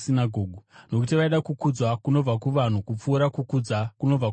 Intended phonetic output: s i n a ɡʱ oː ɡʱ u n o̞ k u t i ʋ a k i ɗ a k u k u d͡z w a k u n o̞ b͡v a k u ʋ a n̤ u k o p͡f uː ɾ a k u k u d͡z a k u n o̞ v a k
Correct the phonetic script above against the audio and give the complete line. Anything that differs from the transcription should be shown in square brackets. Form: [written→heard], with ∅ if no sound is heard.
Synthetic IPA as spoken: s i n a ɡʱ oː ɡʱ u n o̞ k u t i ʋ a [k→∅] i ɗ a k u k u d͡z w a k u n o̞ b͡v a k u ʋ a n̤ u k [o→u] p͡f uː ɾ a k u k u d͡z a k u n o̞ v a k